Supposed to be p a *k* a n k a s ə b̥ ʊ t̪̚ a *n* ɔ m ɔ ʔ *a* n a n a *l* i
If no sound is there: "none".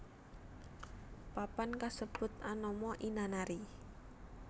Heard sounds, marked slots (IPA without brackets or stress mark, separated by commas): p, n, i, ɾ